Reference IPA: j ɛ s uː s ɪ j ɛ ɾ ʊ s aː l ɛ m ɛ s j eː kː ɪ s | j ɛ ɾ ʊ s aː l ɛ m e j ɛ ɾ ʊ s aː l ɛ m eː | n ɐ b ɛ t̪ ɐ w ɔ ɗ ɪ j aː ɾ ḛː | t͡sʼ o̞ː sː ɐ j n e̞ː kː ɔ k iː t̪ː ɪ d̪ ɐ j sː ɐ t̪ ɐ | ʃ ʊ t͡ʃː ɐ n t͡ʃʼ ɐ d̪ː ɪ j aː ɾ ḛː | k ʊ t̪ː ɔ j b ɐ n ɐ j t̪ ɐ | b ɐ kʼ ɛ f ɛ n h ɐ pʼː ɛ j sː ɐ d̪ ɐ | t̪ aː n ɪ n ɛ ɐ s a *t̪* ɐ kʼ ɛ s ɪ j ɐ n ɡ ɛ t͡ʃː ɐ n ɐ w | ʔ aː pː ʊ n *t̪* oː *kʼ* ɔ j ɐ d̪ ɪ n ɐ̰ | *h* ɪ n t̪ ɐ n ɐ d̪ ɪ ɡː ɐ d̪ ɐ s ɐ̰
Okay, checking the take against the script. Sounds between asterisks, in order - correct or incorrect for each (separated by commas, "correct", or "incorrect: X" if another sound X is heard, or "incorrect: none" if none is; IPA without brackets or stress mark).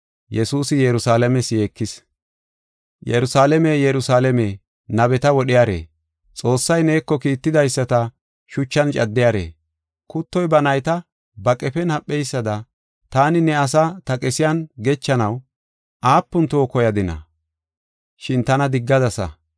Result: correct, correct, incorrect: k, incorrect: ʃ